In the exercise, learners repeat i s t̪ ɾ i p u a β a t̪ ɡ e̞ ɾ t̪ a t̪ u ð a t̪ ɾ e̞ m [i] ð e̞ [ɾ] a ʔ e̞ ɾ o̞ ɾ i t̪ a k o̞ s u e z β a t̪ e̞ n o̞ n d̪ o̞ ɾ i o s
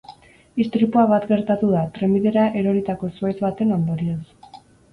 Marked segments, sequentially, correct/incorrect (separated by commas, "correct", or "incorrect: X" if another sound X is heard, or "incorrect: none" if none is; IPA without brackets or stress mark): correct, correct